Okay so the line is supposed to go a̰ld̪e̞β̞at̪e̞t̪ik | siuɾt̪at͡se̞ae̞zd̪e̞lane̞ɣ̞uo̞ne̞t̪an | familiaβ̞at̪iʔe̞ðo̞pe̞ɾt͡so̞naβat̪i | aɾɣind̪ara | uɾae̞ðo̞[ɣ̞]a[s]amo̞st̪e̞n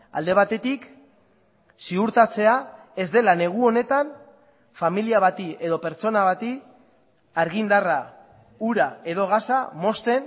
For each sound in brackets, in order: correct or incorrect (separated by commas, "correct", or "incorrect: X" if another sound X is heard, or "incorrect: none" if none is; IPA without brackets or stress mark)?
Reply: correct, correct